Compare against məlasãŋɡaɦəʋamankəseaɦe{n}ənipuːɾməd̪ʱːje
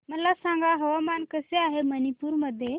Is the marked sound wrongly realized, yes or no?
yes